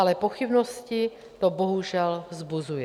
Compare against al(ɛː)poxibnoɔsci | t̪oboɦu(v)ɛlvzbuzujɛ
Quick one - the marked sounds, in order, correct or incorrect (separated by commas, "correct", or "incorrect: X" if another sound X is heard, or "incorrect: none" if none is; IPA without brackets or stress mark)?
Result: incorrect: ɛ, incorrect: ʒ